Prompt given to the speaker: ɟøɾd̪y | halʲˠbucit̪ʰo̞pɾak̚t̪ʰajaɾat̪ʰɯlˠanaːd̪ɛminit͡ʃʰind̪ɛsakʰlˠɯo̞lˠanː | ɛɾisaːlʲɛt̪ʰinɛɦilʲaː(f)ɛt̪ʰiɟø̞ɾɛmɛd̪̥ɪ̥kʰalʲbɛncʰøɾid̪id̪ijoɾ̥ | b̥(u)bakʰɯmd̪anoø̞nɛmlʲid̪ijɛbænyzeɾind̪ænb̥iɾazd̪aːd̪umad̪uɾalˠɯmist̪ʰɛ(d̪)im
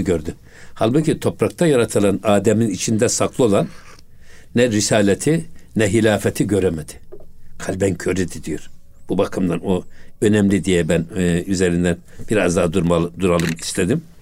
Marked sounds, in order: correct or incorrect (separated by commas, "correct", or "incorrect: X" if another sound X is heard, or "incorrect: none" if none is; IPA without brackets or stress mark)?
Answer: correct, correct, correct